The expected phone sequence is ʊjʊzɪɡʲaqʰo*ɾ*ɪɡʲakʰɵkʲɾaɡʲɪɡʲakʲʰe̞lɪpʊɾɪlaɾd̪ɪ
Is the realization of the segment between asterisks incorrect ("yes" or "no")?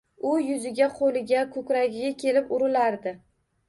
yes